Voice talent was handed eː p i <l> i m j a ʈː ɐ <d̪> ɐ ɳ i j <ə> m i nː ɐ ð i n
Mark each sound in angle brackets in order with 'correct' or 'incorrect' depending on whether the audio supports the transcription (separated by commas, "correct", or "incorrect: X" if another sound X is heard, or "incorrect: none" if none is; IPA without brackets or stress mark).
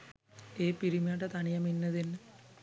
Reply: incorrect: ɾ, incorrect: t̪, incorrect: ɐ